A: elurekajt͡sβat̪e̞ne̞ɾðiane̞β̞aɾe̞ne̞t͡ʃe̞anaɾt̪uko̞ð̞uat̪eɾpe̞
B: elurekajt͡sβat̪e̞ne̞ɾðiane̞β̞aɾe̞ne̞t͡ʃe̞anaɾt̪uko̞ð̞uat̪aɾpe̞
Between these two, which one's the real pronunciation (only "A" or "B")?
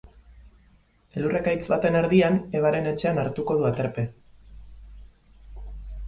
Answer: A